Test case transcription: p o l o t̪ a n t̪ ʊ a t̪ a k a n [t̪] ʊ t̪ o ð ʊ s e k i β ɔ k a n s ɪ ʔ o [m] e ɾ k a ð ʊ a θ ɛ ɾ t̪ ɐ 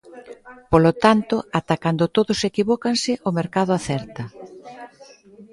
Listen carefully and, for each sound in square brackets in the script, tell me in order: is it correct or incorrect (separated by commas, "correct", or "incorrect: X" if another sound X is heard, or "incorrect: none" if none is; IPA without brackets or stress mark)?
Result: incorrect: d̪, correct